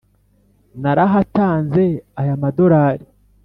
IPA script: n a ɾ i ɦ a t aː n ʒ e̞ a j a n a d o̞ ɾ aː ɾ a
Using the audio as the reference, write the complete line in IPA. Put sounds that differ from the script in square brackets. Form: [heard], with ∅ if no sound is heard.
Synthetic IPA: n a ɾ [a] ɦ a t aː n [z] e̞ a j a [m] a d o̞ ɾ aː ɾ [i]